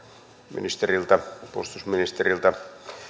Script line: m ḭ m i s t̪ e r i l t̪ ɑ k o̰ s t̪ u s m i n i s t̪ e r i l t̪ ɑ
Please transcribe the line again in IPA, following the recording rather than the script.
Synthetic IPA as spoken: m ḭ n i s t̪ e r i l t̪ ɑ p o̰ s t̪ u s m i n i s t̪ e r i l t̪ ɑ